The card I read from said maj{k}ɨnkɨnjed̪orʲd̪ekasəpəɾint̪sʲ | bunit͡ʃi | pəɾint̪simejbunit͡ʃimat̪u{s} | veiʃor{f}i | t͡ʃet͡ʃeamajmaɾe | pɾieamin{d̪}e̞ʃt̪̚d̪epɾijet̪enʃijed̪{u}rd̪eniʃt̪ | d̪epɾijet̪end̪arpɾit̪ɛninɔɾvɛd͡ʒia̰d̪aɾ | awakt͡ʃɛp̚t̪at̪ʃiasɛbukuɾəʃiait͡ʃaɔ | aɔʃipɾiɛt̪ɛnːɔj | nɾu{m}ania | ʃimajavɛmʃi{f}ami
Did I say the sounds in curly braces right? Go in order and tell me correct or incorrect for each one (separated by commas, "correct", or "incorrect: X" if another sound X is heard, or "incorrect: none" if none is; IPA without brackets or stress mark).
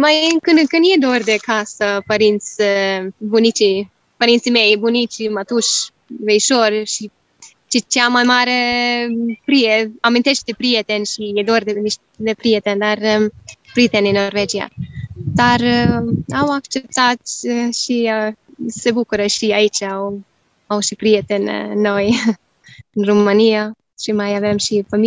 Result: correct, incorrect: ʃ, incorrect: ʃ, incorrect: t̪, incorrect: o, correct, correct